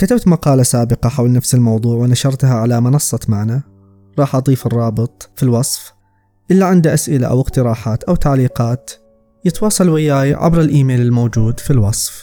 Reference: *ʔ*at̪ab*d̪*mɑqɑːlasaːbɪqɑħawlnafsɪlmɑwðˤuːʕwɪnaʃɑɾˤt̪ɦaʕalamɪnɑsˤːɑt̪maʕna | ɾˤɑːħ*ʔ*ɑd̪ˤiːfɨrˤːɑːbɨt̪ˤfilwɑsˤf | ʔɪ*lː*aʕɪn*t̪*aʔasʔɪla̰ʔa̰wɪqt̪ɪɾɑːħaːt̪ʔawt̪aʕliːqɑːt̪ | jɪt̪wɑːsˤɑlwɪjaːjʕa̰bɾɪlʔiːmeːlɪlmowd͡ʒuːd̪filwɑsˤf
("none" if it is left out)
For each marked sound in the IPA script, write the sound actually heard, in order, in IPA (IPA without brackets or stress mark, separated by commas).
k, t̪, ʔ, lː, d̪